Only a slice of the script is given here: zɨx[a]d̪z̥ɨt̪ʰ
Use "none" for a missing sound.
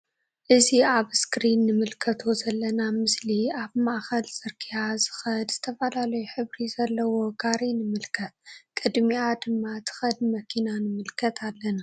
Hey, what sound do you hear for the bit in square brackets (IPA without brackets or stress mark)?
ɐ